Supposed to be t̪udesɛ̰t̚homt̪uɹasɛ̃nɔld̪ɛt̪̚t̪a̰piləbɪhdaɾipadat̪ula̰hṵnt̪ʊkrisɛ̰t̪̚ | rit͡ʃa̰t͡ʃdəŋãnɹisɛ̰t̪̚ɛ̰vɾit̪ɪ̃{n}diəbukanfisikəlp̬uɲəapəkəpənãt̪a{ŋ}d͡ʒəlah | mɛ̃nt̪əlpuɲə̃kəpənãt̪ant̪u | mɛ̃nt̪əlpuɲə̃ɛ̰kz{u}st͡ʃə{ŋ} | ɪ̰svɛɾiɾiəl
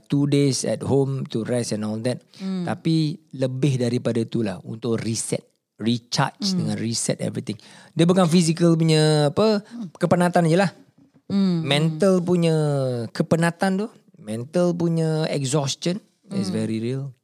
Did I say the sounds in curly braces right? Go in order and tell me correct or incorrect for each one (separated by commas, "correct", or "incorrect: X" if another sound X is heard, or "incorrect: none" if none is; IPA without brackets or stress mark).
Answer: incorrect: ŋ, incorrect: n, incorrect: ɔ, incorrect: n